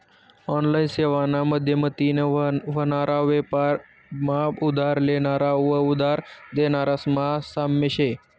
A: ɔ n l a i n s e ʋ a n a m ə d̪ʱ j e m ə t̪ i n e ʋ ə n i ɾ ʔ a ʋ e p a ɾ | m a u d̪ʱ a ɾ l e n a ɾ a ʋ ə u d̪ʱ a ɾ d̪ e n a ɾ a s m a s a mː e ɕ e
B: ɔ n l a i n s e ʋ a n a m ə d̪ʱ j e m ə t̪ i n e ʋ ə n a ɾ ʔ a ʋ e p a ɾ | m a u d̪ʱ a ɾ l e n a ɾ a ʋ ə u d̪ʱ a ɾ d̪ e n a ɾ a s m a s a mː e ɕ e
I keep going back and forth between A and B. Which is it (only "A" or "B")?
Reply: B